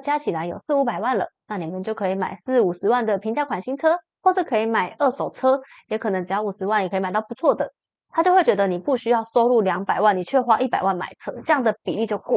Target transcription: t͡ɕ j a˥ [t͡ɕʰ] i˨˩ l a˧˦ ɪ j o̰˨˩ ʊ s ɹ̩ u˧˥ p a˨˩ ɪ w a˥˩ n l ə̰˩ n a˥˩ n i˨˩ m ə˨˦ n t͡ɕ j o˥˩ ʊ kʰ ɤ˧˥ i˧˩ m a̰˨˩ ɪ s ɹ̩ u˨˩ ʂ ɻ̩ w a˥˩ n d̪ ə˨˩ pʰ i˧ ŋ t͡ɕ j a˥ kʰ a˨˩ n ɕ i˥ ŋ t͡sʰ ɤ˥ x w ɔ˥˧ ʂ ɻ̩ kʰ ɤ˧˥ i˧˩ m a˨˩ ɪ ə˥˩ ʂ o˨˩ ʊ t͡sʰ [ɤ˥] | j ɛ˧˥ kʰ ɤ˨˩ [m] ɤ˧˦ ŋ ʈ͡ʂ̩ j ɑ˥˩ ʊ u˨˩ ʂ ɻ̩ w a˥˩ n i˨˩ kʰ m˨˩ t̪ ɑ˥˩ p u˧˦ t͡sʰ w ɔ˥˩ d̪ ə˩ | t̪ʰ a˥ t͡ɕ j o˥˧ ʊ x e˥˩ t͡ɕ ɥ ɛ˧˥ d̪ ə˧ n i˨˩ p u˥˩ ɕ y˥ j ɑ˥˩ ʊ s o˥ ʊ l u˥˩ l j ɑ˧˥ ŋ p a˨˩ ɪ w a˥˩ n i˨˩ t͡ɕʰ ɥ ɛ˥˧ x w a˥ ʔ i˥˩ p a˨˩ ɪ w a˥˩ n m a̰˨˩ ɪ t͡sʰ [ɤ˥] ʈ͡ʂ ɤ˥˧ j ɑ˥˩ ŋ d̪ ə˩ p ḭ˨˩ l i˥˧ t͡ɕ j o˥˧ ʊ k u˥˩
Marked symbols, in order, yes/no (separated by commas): yes, yes, no, yes